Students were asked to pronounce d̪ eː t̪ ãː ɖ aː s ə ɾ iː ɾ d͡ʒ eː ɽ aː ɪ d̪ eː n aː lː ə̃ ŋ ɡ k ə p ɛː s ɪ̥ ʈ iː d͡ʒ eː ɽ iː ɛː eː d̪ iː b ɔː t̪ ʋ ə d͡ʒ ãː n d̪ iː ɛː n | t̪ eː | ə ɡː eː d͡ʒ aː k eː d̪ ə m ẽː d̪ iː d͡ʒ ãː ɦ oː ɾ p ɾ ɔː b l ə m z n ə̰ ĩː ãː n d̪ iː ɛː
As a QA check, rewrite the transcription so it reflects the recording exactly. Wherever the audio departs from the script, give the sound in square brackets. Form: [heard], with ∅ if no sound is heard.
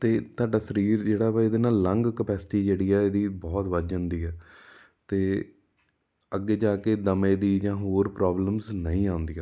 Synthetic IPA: [t̪] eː t̪ [aː] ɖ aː s ə ɾ iː ɾ d͡ʒ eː ɽ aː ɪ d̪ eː n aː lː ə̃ ŋ ɡ k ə p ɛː s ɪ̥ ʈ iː d͡ʒ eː ɽ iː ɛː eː d̪ iː b ɔː t̪ ʋ ə d͡ʒ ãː n d̪ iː ɛː [∅] | t̪ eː | ə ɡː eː d͡ʒ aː k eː d̪ ə m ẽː d̪ iː d͡ʒ ãː ɦ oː ɾ p ɾ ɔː b l ə m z n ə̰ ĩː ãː n d̪ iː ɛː